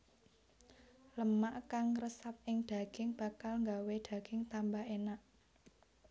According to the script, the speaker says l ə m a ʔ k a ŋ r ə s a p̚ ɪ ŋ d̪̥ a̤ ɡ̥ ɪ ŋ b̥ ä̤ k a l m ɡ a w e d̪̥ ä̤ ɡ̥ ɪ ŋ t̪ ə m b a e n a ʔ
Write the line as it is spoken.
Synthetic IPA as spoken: l ə m a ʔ k a ŋ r ə s a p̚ ɪ ŋ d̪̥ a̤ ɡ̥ ɪ ŋ b̥ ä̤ k a l ŋ ɡ a w e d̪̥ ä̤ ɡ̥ ɪ ŋ t̪ a m b a e n a ʔ